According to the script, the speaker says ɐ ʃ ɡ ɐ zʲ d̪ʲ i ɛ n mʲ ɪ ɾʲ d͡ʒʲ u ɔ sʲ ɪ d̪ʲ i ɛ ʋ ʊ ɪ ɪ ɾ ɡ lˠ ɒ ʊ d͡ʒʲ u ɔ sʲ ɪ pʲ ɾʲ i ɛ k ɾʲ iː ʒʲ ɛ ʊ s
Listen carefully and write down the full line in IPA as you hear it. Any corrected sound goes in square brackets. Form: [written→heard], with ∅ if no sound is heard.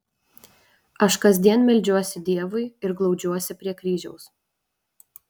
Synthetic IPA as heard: ɐ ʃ [ɡ→k] ɐ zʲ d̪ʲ i ɛ n mʲ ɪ [ɾʲ→lʲ] d͡ʒʲ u ɔ sʲ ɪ d̪ʲ i ɛ ʋ ʊ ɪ ɪ ɾ ɡ lˠ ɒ ʊ d͡ʒʲ u ɔ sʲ ɪ pʲ ɾʲ i ɛ k ɾʲ iː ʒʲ ɛ ʊ s